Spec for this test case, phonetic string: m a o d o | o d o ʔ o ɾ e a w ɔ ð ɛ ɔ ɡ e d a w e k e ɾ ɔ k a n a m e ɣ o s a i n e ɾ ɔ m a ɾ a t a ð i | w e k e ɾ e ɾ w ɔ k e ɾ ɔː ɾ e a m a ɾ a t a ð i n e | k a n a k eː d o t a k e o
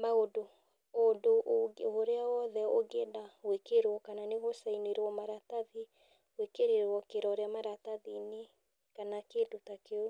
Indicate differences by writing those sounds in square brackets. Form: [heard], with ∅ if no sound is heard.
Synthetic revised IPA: m a o d o | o d o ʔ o ɾ e a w ɔ ð ɛ [o] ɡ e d a w e k e ɾ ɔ k a n a [n] e ɣ o s a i n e ɾ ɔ m a ɾ a t a ð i | w e k e ɾ e ɾ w ɔ k e ɾ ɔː ɾ e a m a ɾ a t a ð i n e | k a n a k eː d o t a k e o